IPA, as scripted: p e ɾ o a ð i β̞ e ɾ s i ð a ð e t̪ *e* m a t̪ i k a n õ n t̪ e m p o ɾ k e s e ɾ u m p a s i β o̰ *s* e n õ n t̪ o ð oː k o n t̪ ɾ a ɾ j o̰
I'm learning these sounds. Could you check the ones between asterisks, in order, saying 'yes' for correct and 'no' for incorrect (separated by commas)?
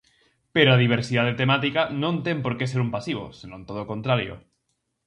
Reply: yes, yes